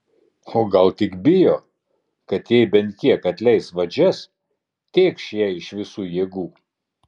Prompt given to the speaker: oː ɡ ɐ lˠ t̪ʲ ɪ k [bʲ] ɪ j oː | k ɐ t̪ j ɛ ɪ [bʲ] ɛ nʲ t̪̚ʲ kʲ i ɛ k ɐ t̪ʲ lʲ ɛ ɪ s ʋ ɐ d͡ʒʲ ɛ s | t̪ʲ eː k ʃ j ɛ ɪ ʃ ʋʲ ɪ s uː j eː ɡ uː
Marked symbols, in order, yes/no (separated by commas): yes, yes